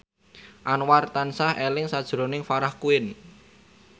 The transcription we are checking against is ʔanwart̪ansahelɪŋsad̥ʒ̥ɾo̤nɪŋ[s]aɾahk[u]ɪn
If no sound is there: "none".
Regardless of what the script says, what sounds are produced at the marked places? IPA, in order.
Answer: f, u

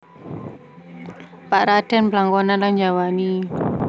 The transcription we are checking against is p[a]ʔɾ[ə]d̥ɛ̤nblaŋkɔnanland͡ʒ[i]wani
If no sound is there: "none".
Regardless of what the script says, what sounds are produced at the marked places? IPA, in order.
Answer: a, a, a

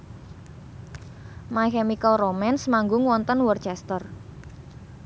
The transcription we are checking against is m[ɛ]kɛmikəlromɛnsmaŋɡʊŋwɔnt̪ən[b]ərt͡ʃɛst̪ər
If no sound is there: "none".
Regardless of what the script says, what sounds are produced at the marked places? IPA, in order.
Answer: a, w

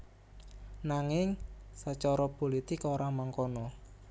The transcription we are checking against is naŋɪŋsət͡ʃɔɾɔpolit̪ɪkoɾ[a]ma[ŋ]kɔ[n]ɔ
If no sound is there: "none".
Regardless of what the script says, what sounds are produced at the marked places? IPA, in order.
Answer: a, ŋ, n

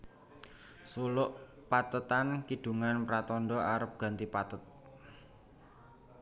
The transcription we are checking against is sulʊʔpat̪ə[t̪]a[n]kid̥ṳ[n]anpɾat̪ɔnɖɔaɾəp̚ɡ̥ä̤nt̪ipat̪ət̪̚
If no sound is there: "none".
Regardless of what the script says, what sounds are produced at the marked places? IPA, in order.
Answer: t̪, n, ŋ

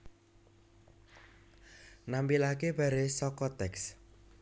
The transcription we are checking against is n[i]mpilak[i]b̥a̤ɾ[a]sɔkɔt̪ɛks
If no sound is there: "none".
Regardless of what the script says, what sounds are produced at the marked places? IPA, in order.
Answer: a, e, e

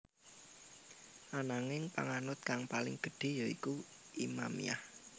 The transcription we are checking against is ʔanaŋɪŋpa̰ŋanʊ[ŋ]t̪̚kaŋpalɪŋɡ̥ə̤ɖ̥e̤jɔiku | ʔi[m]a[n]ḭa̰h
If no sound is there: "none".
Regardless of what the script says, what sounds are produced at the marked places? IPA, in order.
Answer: none, m, m

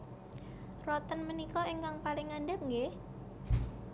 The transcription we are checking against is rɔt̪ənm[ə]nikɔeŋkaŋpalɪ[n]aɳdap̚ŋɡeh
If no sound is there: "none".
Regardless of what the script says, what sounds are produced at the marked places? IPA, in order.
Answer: ə, ŋ

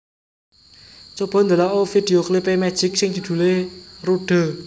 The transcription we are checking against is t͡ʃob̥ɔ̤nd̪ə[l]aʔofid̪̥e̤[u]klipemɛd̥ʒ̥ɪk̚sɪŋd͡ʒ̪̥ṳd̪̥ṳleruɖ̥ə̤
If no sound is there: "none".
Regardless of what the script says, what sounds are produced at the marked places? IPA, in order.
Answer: l, o

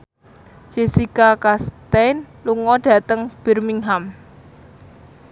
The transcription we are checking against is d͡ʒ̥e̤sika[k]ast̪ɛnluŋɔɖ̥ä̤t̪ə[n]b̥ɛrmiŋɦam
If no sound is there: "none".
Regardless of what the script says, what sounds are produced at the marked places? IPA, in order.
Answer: k, ŋ

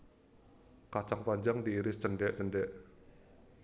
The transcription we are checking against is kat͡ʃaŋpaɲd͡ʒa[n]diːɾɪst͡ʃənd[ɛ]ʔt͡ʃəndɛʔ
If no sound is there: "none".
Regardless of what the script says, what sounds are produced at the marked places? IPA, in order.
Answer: ŋ, ɛ

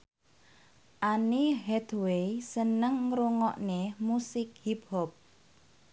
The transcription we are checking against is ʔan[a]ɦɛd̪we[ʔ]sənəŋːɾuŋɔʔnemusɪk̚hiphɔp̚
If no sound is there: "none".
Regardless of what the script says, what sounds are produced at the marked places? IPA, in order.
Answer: i, none

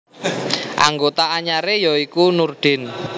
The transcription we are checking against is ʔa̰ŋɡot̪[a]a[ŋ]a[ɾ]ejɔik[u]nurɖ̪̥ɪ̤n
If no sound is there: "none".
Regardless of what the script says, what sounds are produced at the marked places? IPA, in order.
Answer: a, ɲ, ɾ, u

